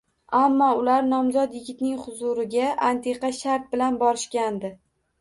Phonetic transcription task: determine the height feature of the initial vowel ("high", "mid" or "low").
low